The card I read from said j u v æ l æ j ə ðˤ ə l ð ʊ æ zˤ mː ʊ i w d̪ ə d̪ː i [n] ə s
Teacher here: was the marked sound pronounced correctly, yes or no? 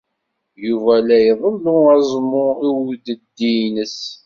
yes